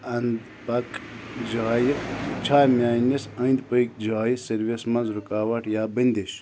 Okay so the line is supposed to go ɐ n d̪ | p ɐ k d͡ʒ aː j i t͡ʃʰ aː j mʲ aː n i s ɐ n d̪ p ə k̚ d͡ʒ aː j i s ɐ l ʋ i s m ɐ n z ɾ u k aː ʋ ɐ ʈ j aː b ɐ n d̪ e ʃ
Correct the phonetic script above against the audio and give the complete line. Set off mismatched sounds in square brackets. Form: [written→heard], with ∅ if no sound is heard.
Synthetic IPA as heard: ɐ n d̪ | p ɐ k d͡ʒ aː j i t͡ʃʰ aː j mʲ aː n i s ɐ n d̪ p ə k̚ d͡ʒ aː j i s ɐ [l→ɾ] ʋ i s m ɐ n z ɾ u k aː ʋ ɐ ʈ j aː b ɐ n d̪ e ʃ